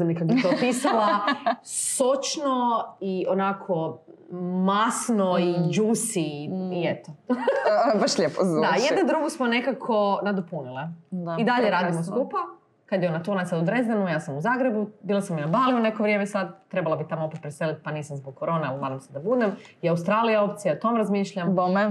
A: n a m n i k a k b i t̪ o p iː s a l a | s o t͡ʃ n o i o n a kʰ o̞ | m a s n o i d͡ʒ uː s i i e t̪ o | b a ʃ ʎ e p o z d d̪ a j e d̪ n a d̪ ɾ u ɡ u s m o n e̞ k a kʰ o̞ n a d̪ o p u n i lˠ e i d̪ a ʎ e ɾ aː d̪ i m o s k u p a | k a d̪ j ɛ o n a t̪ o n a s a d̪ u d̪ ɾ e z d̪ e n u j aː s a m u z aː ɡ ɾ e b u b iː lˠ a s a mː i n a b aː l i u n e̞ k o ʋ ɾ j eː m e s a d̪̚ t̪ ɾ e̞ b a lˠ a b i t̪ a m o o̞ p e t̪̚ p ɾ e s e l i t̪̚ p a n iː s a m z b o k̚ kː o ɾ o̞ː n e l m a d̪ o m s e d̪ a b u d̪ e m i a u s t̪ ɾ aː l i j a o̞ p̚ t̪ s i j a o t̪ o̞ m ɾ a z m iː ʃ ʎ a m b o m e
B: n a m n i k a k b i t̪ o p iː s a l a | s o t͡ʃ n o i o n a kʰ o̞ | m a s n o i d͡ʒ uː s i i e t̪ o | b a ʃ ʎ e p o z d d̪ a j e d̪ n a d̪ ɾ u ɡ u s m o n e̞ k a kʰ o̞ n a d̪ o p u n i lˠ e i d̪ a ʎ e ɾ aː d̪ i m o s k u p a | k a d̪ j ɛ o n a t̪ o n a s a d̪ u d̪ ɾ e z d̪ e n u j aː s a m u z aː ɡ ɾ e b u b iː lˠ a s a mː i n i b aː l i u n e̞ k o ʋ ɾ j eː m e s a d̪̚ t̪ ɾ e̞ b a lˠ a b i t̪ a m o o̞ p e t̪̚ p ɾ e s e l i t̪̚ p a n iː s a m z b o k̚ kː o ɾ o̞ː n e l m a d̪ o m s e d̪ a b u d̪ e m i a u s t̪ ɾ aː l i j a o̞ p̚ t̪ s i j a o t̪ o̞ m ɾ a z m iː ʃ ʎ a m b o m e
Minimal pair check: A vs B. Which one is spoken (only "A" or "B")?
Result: A